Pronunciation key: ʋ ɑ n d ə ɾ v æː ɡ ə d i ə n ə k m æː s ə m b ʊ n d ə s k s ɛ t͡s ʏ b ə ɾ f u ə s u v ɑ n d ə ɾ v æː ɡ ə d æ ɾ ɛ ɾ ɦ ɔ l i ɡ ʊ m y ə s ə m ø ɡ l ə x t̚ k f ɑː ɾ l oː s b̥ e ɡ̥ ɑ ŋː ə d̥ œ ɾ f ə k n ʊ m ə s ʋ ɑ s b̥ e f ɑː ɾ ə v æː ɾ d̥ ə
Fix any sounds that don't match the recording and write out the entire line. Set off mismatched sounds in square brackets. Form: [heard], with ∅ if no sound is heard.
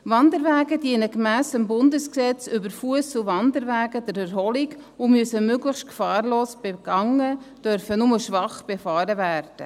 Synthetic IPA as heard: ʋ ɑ n d ə ɾ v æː ɡ ə d i ə n ə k m æː s ə m b ʊ n d ə s k s ɛ t͡s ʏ b ə ɾ f u ə s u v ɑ n d ə ɾ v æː ɡ ə d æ ɾ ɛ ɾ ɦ ɔ l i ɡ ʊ m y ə s ə m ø ɡ l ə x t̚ k f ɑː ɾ l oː s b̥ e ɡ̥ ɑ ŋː ə d̥ œ ɾ f ə [∅] n ʊ m ə [ʃ] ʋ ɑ [χ] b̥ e f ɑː ɾ ə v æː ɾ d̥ ə

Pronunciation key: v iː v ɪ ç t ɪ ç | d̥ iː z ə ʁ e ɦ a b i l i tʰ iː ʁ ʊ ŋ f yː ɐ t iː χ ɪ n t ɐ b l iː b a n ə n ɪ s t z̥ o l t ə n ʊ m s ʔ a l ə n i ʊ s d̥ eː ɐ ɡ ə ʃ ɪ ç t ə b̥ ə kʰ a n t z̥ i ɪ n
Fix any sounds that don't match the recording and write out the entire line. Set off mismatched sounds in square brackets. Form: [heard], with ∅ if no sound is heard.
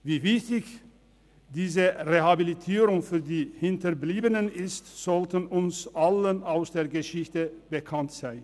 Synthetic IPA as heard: v iː v ɪ ç t ɪ ç | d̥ iː z ə ʁ e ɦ a b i l i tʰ iː ʁ ʊ ŋ f yː ɐ [d] iː [h] ɪ n t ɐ b l iː b [ə] n ə n ɪ s t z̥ [ɔ] l t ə n ʊ [n] s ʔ a l ə n [a] ʊ s d̥ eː ɐ ɡ ə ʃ ɪ ç t ə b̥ ə kʰ a n t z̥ [a] ɪ n

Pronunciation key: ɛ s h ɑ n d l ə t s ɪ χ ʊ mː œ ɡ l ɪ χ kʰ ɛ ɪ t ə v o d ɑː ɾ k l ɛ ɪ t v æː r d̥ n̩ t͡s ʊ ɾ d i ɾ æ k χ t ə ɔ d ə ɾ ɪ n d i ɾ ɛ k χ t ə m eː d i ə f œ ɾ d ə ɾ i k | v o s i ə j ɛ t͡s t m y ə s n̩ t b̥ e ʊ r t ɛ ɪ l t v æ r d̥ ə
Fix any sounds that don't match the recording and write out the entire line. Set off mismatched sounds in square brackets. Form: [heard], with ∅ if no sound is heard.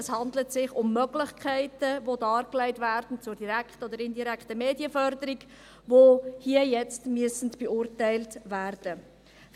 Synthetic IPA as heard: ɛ s h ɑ n d l ə t s ɪ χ ʊ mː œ ɡ l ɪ χ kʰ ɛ ɪ t ə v o d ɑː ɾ k l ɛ ɪ t v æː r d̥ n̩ t͡s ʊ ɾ d i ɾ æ k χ t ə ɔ d ə ɾ ɪ n d i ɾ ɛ k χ t ə m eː d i ə f œ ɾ d ə ɾ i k | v o [h] i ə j ɛ t͡s t m y ə s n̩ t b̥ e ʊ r t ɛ ɪ l t v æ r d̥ ə

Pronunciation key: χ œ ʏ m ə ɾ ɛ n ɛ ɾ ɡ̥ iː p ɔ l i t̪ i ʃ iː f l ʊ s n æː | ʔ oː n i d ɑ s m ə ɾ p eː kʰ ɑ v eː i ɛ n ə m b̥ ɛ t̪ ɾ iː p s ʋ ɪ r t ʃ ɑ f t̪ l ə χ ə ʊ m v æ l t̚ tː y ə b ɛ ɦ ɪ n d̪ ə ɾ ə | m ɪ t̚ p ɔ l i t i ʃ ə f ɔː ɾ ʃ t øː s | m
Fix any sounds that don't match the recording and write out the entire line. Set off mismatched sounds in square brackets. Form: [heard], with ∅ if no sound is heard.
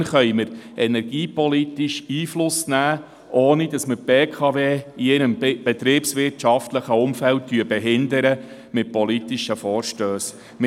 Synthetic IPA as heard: χ œ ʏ m ə ɾ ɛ n ɛ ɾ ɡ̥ iː p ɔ l i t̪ i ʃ iː f l ʊ s n æː | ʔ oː n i d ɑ s m ə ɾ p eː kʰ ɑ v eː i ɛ n ə m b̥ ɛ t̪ ɾ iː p s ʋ ɪ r t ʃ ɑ f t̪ l ə χ ə ʊ m [f] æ l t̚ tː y ə b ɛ ɦ ɪ n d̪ ə ɾ ə | m ɪ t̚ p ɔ l i t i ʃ ə f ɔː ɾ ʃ t øː s | m

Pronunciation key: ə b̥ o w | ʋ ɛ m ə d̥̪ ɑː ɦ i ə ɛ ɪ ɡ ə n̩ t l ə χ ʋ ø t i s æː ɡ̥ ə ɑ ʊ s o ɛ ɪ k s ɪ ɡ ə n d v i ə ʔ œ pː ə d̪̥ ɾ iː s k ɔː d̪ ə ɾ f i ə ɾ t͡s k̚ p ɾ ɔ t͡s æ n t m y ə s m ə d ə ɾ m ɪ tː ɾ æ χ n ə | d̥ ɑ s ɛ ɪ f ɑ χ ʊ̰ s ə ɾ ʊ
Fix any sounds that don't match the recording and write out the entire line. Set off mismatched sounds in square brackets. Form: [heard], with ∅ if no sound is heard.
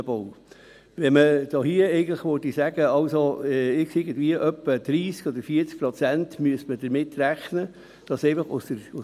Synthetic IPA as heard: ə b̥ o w | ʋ ɛ m ə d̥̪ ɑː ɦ i ə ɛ ɪ ɡ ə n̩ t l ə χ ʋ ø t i s [æ] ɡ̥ ə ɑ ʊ s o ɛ ɪ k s ɪ ɡ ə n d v i ə ʔ œ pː ə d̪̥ ɾ iː s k [ɔ] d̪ ə ɾ f i ə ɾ t͡s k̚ p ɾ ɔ t͡s æ n t m y ə s m ə d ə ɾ m ɪ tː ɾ æ χ n ə | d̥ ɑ s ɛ ɪ f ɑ χ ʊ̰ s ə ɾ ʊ

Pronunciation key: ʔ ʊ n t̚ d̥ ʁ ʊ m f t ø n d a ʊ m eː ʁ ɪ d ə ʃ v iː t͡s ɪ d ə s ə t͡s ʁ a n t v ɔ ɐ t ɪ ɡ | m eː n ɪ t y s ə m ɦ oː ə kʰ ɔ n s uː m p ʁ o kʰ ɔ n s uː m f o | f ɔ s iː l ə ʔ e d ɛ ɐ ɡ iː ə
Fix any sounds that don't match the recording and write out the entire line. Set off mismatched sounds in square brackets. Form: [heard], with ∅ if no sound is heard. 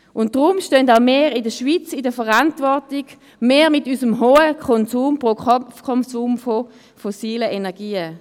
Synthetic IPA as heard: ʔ ʊ n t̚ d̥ ʁ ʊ m [ʃ] t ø n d a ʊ m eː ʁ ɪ d ə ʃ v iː t͡s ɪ d ə [f] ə [∅] ʁ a n t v ɔ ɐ t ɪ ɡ | m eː [m] ɪ t y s ə m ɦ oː ə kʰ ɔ n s uː m p ʁ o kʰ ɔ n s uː m f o | f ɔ s iː l ə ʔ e [n] ɛ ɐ ɡ iː ə

